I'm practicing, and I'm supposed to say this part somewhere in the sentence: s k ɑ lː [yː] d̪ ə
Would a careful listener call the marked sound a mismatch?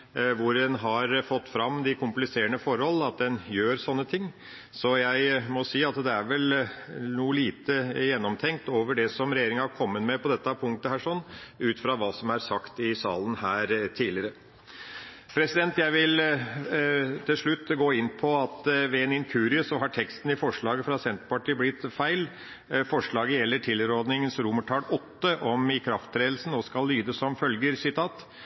no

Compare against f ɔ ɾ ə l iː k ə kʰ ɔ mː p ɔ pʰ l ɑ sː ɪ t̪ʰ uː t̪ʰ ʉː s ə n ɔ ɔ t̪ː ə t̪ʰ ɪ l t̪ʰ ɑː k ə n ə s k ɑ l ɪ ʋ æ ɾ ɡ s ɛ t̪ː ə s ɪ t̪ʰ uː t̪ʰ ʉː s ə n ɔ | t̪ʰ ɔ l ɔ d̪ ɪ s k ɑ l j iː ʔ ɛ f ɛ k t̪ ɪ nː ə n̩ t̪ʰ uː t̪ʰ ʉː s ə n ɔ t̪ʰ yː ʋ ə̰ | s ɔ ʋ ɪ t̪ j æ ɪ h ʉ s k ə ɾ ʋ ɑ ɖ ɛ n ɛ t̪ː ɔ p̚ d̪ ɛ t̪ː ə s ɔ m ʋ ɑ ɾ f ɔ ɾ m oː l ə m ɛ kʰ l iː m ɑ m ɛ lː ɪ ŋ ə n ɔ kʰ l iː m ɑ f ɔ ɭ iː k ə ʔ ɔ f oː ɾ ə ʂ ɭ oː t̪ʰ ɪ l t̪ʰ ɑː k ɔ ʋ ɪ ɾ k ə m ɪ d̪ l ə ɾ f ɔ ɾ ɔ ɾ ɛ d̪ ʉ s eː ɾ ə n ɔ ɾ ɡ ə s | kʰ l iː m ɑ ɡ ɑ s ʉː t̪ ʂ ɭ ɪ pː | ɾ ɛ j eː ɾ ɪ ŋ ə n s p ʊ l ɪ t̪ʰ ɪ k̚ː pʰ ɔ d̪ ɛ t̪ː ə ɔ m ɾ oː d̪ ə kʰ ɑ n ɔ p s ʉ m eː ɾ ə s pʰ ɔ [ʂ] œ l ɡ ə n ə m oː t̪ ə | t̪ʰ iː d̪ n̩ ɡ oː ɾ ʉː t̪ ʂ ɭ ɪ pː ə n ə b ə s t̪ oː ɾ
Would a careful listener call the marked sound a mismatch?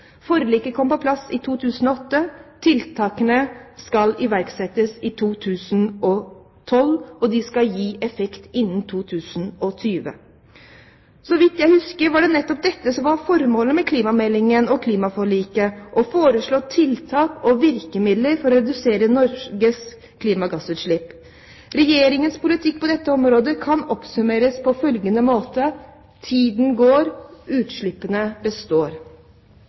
yes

